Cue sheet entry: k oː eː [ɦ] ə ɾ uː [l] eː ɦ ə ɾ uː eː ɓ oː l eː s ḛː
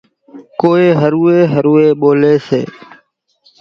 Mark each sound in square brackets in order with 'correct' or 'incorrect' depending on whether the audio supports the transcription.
correct, incorrect

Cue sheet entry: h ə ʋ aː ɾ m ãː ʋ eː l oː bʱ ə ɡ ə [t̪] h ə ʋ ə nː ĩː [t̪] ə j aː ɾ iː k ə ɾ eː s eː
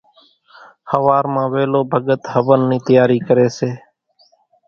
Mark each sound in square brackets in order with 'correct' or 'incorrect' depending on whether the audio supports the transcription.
correct, correct

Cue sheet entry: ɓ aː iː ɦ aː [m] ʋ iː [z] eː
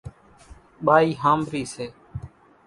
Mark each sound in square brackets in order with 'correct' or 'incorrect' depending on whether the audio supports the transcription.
correct, incorrect

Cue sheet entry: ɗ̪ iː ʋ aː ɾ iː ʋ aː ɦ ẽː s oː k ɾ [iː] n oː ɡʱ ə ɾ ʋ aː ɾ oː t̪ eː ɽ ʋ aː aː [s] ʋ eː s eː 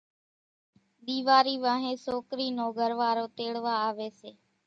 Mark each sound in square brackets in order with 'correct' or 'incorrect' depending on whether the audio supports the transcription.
correct, incorrect

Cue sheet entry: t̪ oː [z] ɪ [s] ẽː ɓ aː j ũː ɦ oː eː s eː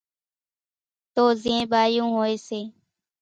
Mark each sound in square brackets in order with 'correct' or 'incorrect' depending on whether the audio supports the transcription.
correct, incorrect

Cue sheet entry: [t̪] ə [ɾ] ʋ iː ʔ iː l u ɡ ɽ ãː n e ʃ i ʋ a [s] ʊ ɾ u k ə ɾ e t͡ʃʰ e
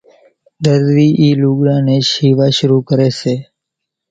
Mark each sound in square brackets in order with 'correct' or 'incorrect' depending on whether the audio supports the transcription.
incorrect, correct, incorrect

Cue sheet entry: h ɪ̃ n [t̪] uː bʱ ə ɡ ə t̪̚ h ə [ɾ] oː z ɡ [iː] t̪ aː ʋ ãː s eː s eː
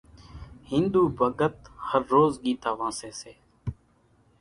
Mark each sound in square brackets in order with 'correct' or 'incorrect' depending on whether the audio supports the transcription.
incorrect, incorrect, correct

